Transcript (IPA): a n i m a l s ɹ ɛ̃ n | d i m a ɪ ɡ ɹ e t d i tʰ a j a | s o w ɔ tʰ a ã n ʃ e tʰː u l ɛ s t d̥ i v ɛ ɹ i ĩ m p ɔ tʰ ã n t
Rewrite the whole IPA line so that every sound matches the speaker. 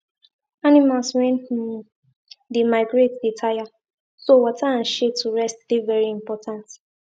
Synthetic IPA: a n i m a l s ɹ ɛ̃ n | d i m a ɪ ɡ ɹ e t d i tʰ a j a | s o w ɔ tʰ a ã n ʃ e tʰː u ɹ ɛ s t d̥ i v ɛ ɹ i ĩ m p ɔ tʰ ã n t